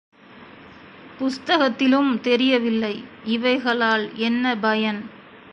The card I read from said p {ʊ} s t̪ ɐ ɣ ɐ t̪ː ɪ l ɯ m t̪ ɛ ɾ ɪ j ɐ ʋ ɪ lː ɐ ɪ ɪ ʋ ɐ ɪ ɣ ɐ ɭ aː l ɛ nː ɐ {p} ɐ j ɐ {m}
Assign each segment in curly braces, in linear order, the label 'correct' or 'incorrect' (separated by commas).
correct, incorrect, incorrect